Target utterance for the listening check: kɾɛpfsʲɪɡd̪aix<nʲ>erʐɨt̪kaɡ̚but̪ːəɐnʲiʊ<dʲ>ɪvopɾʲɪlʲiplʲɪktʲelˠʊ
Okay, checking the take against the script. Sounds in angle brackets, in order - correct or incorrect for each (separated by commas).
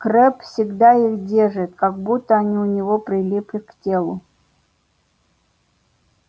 incorrect, incorrect